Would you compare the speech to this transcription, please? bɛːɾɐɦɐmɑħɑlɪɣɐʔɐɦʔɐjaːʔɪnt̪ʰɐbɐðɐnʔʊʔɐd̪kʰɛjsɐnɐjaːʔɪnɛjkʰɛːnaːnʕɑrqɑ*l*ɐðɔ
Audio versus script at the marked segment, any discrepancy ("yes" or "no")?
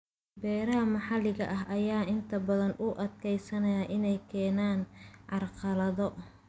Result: no